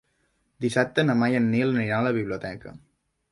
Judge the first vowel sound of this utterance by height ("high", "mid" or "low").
high